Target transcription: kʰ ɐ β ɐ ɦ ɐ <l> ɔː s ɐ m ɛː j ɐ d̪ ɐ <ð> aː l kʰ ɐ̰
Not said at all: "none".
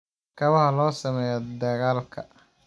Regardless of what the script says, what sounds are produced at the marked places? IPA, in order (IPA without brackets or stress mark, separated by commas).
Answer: l, ɣ